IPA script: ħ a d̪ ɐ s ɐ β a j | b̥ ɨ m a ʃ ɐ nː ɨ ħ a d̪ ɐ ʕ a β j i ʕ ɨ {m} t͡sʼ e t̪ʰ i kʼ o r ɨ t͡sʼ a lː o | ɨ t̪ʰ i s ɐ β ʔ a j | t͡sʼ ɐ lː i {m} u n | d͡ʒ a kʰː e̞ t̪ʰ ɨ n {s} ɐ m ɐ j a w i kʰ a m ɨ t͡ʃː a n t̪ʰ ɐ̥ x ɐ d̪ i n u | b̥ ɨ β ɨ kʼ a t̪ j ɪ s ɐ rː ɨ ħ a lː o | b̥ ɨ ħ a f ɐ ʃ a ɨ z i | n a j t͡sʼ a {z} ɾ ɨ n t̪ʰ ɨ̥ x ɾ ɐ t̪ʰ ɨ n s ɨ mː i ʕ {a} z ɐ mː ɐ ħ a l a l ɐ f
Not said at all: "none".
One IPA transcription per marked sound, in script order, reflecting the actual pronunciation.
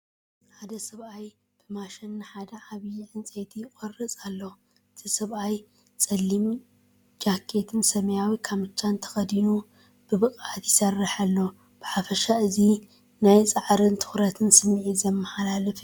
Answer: n, m, s, ʕ, i

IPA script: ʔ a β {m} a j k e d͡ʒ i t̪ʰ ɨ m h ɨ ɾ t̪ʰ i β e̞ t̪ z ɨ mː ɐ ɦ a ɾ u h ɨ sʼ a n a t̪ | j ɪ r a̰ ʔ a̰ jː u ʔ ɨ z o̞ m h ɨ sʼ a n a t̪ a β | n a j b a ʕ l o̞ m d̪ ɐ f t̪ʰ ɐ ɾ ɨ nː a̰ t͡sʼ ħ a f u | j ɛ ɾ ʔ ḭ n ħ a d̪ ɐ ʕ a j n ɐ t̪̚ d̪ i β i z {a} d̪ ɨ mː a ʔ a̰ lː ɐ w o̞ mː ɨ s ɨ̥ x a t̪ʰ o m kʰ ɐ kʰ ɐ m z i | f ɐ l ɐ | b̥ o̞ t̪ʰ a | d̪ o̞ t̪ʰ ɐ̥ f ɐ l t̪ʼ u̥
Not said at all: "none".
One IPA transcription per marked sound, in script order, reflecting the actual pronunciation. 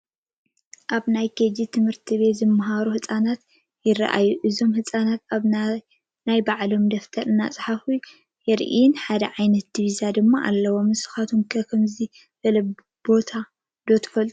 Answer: n, a

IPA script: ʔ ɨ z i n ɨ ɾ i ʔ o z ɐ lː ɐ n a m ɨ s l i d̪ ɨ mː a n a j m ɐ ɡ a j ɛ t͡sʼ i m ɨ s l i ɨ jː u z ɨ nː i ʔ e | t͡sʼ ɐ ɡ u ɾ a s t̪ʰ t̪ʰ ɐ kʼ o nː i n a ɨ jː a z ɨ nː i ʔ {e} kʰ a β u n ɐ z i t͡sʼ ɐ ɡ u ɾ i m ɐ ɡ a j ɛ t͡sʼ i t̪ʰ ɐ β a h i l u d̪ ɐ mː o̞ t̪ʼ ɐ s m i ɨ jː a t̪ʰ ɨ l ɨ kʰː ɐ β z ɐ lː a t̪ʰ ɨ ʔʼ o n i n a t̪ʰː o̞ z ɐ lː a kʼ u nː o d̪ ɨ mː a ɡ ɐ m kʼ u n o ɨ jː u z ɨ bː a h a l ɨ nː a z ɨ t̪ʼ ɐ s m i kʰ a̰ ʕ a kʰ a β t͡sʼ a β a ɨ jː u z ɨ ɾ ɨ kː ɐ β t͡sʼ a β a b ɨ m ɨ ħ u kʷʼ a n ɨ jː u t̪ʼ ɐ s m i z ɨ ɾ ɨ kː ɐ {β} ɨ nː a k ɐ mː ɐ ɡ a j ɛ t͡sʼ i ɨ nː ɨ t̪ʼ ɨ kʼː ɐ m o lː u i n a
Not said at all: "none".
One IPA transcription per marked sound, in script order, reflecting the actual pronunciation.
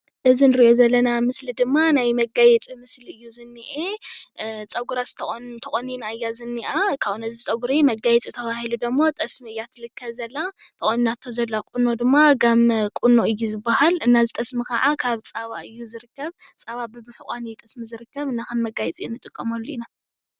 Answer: a, β

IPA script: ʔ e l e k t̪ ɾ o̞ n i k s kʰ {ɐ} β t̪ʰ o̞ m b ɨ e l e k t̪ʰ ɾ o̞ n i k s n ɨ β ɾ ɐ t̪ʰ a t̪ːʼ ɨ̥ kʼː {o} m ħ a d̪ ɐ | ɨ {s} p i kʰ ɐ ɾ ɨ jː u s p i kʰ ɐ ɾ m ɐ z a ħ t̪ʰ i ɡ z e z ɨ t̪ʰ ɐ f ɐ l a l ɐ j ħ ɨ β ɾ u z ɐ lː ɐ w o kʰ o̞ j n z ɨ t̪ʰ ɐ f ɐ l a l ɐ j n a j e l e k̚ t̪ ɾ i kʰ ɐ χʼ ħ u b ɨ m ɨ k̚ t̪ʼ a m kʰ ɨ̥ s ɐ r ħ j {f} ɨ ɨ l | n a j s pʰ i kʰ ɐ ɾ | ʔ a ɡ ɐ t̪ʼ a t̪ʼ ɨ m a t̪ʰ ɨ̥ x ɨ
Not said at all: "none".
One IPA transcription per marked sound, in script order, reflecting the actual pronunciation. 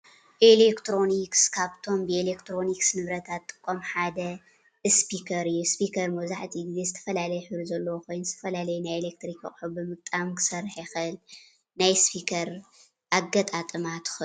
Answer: a, o, s, x

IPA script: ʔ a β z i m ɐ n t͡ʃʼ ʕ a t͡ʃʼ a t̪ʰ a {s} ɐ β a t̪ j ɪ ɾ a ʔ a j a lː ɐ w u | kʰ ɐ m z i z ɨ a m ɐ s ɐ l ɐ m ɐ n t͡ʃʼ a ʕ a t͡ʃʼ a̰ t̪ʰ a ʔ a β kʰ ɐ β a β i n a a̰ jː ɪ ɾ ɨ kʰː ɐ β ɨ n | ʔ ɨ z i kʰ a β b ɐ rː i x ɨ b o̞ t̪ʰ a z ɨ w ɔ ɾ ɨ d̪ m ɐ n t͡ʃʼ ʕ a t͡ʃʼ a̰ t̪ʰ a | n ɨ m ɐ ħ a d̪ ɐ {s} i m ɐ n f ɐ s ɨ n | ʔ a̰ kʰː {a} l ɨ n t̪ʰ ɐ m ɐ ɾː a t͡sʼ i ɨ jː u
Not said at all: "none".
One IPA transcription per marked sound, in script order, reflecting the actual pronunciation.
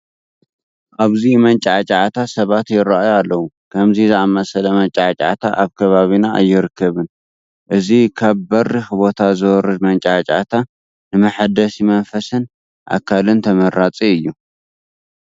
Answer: s, s, a

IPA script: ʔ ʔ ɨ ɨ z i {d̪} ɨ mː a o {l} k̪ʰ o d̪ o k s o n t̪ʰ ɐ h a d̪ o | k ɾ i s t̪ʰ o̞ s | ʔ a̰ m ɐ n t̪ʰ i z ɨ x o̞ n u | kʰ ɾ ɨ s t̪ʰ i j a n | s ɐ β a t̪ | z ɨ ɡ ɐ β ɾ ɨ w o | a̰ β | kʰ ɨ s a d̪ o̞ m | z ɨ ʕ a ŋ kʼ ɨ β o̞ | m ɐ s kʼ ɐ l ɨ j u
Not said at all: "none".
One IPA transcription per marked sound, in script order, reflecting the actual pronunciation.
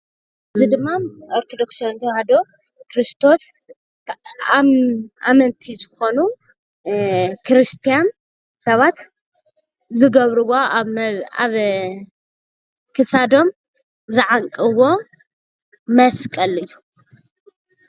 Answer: d̪, ɾ

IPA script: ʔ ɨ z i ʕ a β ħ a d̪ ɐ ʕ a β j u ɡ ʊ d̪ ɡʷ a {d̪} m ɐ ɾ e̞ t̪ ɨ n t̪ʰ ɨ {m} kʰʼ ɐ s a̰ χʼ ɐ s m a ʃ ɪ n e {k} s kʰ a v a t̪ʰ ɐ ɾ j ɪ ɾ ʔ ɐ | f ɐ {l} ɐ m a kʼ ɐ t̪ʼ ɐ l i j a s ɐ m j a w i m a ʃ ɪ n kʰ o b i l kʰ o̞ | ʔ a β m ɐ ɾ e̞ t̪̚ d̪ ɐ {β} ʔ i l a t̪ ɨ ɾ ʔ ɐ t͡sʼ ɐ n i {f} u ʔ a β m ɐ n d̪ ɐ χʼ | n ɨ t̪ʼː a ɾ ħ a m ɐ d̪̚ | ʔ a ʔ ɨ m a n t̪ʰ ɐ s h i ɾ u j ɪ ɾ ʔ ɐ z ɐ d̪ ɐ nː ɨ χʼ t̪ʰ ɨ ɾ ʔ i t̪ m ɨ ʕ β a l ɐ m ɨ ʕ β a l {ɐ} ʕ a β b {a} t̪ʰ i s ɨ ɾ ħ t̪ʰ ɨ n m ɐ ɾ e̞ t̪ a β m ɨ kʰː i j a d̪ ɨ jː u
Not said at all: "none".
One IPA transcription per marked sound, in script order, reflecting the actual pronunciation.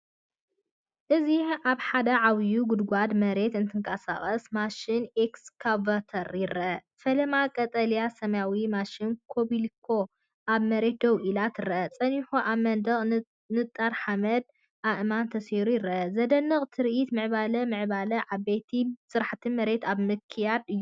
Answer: d̪, ŋ, k, l, w, ħ, ɐ, e

